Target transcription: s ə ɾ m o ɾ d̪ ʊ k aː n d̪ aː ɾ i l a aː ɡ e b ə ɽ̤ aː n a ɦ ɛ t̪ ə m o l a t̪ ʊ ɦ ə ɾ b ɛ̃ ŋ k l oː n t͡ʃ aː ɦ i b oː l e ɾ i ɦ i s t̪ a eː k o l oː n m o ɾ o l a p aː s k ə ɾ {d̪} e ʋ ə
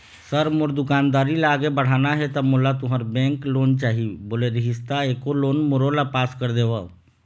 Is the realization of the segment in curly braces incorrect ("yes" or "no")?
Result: no